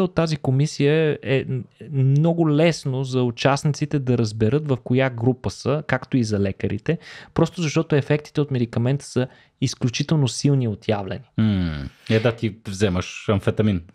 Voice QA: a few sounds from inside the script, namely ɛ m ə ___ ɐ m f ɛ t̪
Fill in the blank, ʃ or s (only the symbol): ʃ